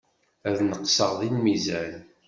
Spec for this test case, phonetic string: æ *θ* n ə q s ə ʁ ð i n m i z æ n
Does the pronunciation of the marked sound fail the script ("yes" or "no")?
yes